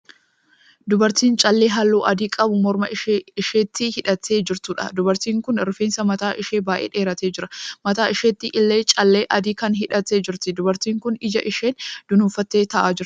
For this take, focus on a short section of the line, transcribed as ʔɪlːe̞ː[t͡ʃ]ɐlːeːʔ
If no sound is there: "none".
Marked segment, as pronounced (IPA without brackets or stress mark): t͡ʃʼ